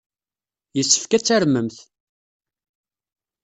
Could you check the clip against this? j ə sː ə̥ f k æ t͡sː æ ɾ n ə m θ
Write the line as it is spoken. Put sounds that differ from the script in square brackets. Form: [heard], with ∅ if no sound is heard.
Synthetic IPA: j ə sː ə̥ f k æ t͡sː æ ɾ [m] ə m θ

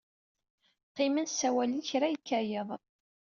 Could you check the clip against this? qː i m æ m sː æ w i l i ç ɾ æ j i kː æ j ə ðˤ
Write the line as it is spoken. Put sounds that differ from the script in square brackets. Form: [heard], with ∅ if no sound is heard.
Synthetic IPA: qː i m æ [n] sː æ w [æ] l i ç ɾ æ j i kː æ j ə ðˤ

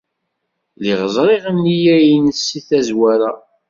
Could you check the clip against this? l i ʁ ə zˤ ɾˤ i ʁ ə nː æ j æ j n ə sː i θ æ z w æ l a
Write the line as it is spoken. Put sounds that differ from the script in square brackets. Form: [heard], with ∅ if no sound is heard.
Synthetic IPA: l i ʁ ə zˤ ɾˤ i ʁ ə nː [i] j æ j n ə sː i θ æ z w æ [ɾ] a

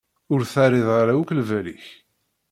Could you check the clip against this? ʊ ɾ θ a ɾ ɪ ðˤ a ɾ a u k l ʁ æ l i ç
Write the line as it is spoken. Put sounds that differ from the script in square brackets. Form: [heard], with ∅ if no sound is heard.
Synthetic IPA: ʊ ɾ θ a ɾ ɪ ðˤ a ɾ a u k l [v] æ l i ç

